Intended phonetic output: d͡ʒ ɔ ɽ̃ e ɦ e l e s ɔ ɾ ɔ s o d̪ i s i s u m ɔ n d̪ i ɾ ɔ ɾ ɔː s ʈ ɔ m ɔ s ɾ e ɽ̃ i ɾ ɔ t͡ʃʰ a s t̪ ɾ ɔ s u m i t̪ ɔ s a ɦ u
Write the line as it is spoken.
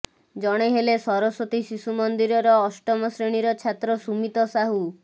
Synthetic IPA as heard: d͡ʒ ɔ ɽ̃ e ɦ e l e s ɔ ɾ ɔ s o t̪ i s i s u m ɔ n d̪ i ɾ ɔ ɾ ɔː s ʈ ɔ m ɔ s ɾ e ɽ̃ i ɾ ɔ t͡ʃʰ a t̪ ɾ ɔ s u m i t̪ ɔ s a ɦ u

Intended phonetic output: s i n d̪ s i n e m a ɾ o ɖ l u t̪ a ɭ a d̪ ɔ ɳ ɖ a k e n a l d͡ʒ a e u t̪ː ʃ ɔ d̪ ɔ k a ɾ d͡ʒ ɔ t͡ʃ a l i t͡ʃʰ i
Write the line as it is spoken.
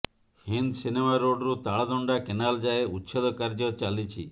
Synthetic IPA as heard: h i n d̪ s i n e m a ɾ o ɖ ɾ u t̪ a ɭ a d̪ ɔ ɳ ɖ a k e n a l d͡ʒ a e u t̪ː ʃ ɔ d̪ ɔ k a ɾ d͡ʒ ɔ t͡ʃ a l i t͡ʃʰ i

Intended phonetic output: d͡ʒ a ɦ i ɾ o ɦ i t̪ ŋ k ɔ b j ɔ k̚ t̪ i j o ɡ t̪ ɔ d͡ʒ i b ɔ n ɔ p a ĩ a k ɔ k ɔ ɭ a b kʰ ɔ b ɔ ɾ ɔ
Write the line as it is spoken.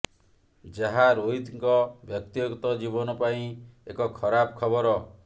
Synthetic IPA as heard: d͡ʒ a ɦ a ɾ o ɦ i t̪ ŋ k ɔ b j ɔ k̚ t̪ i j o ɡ t̪ ɔ d͡ʒ i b ɔ n ɔ p a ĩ e k ɔ kʰ ɔ ɾ a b kʰ ɔ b ɔ ɾ ɔ

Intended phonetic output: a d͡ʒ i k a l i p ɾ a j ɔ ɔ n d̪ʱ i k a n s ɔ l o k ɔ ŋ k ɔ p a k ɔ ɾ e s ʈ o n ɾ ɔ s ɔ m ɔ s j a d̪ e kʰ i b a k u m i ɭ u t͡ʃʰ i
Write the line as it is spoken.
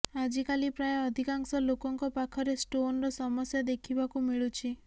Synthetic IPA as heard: a d͡ʒ i k a l i p ɾ a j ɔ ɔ d̪ʱ i k a ŋ s ɔ l o k ɔ ŋ k ɔ p a kʰ ɔ ɾ e s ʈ o n ɾ ɔ s ɔ m ɔ s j a d̪ e kʰ i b a k u m i ɭ u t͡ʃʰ i

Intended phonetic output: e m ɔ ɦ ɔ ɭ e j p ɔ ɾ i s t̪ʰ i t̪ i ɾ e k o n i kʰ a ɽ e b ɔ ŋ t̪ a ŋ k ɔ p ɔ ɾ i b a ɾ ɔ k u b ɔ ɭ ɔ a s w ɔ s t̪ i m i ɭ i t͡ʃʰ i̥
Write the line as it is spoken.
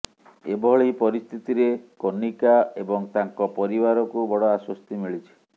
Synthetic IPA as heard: e b ɔ ɦ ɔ ɭ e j p ɔ ɾ i s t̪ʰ i t̪ i ɾ e k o n i k a e b ɔ ŋ t̪ a ŋ k ɔ p ɔ ɾ i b a ɾ ɔ k u b ɔ ɽ ɔ a s w ɔ s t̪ i m i ɭ i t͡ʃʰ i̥

